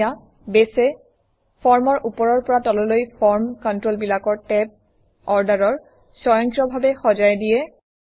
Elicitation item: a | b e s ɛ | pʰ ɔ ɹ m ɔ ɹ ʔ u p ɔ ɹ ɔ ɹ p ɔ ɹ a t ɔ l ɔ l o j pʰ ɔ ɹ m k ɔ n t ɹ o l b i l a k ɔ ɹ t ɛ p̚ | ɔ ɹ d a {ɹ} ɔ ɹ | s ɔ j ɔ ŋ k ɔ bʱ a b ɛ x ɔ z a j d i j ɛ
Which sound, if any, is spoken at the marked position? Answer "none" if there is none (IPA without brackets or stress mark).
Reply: ɹ